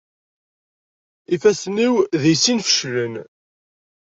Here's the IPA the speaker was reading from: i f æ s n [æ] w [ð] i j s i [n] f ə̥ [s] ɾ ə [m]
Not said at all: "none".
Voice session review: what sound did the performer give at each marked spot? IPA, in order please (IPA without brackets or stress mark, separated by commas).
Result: i, ð, n, ʃ, n